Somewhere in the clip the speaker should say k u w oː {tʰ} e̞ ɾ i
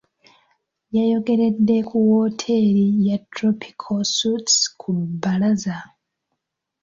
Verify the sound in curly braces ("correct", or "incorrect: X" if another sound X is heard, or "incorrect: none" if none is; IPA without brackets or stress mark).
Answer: correct